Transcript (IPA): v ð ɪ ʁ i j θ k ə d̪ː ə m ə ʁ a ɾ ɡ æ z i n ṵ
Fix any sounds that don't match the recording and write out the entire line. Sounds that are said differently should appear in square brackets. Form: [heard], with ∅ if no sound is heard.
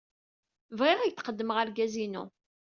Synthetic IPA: v [ʁ] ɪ ʁ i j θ [q] ə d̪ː ə m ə ʁ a ɾ ɡ æ z i n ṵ